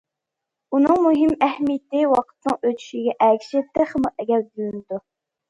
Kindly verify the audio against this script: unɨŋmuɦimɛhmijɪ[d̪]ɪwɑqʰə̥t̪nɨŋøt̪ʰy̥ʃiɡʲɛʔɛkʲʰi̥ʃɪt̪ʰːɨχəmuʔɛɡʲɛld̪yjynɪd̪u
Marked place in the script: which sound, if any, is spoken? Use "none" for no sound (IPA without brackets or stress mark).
t̪